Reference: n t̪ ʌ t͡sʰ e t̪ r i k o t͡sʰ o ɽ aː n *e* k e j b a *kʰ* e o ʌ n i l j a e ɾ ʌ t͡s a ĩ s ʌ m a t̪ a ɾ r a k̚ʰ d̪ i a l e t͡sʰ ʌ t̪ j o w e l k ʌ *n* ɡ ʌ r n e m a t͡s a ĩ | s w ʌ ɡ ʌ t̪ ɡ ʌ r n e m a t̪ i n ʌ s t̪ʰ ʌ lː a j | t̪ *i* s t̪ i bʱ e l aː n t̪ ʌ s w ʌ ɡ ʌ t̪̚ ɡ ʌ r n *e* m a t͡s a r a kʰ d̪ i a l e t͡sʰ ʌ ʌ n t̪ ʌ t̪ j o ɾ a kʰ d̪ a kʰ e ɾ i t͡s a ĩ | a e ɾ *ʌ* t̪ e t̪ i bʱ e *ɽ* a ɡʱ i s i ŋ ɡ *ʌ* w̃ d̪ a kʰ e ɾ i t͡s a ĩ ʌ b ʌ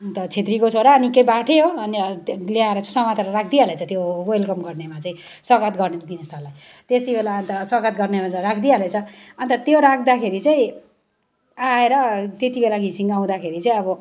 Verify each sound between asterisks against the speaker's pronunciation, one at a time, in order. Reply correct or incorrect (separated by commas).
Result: incorrect, incorrect, incorrect, incorrect, correct, correct, incorrect, incorrect